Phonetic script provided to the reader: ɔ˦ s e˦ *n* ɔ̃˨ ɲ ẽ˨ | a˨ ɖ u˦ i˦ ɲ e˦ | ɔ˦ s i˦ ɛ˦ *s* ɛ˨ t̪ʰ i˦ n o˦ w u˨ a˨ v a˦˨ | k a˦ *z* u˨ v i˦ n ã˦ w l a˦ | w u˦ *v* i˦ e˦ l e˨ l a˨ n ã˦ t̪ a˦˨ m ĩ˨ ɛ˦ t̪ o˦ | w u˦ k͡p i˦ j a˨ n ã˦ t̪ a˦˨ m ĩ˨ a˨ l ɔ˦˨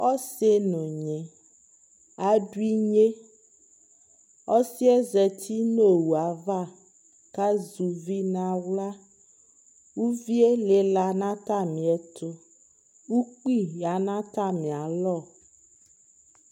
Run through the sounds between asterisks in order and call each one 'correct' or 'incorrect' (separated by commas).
correct, incorrect, correct, correct